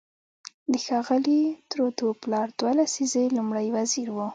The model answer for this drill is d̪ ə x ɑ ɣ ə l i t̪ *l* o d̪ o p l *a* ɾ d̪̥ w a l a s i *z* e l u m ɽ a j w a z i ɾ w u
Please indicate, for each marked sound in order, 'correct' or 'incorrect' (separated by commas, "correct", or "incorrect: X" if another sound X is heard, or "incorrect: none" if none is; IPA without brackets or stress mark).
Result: incorrect: ɾ, incorrect: ɑ, correct